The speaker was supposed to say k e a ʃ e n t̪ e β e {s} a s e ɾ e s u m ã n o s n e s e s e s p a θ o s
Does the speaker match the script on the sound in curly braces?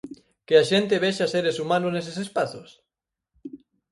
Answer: no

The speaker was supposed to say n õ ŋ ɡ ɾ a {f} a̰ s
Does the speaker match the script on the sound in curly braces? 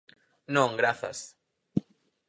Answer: no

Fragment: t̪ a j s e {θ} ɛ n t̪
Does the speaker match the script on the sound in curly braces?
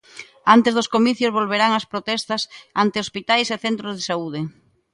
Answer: yes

